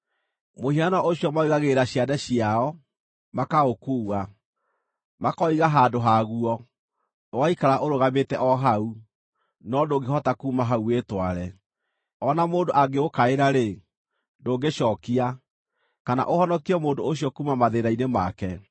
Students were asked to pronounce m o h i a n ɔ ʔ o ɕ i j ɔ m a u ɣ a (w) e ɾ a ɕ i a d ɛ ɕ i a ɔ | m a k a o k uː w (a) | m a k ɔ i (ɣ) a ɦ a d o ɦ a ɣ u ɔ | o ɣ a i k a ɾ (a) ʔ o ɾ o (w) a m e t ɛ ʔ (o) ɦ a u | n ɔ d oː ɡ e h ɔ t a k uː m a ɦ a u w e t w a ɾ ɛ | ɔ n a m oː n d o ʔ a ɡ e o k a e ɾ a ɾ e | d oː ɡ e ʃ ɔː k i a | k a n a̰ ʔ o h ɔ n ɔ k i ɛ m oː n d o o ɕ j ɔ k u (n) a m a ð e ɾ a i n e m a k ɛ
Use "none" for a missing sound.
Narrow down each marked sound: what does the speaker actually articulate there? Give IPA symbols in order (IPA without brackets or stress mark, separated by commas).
ɣ, a, ɣ, a, ɣ, ɔ, m